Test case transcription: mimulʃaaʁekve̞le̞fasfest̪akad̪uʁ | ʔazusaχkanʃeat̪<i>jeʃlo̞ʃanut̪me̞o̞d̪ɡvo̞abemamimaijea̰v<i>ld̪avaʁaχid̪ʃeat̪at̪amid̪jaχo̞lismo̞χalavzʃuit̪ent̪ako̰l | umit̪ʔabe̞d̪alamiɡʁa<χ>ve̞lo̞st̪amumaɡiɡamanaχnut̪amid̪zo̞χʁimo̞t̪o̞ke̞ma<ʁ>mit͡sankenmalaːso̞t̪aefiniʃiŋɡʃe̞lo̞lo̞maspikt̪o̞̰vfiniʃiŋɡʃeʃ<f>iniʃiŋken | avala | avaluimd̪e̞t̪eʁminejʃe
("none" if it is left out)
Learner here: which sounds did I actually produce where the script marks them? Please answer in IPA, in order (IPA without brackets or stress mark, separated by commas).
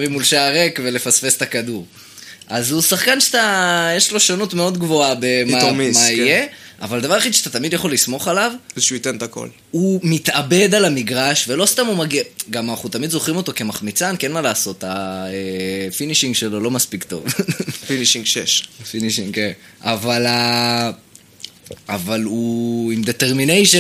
a, a, ʃ, χ, f